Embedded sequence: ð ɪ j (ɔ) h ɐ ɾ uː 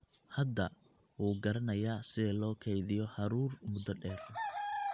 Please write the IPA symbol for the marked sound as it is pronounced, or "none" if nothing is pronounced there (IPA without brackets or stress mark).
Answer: ɔ